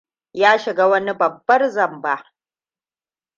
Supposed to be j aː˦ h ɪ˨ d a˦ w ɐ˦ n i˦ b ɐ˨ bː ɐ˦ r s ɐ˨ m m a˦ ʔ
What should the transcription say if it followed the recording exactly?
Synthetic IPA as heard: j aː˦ ʃ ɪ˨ ɡ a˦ w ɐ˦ n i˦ b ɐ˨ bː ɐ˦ r z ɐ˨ m b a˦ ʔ